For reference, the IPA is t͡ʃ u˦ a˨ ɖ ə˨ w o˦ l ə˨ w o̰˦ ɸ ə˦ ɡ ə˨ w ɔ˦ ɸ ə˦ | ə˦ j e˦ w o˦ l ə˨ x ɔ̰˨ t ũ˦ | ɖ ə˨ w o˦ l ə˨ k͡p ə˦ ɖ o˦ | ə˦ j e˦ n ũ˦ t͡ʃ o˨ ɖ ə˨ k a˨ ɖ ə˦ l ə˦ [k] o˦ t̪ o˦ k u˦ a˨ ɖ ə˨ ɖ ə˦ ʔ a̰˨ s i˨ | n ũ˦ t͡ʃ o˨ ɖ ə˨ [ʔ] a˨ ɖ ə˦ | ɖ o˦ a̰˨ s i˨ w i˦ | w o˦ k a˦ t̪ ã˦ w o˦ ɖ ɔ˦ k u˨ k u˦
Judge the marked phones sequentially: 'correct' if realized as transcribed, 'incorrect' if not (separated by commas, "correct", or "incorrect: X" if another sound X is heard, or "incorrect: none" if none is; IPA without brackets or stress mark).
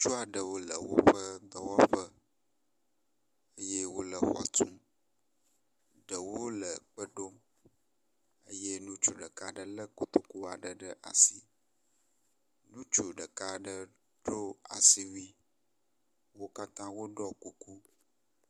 correct, incorrect: k